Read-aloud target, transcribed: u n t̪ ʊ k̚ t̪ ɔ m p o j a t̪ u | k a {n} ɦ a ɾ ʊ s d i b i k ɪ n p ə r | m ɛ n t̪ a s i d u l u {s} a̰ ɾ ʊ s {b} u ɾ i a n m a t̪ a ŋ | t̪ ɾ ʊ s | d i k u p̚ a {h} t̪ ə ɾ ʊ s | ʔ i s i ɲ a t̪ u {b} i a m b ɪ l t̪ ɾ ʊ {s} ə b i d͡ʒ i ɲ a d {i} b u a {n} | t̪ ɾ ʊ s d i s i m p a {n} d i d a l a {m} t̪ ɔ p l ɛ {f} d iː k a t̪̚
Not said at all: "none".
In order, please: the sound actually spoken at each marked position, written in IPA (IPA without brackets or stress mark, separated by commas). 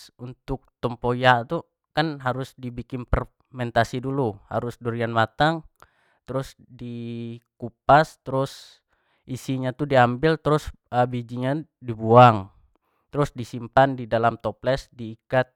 n, h, d, s, d, s, i, ŋ, n, m, s